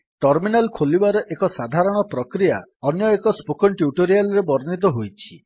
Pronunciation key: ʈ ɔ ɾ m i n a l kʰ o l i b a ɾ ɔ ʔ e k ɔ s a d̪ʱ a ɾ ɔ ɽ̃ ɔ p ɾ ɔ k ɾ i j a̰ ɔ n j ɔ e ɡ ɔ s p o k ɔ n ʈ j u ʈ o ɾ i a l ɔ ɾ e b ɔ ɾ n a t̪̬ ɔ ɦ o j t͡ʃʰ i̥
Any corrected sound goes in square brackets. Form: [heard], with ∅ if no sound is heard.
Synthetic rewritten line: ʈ ɔ ɾ m i n a l kʰ o l i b a ɾ ɔ ʔ e k ɔ s a d̪ʱ a ɾ ɔ ɽ̃ ɔ p ɾ ɔ k ɾ i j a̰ ɔ n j ɔ e [k] ɔ s p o k ɔ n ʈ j u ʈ o ɾ i a l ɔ ɾ e b ɔ ɾ n [i] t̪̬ ɔ ɦ o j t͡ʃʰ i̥